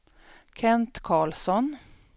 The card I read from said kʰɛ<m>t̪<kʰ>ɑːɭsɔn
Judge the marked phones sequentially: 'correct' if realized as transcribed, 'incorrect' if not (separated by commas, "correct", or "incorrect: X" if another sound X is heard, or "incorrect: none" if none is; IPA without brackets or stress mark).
incorrect: n, correct